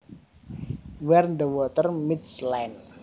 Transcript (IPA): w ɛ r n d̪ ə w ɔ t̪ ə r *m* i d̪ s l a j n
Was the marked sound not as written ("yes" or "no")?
no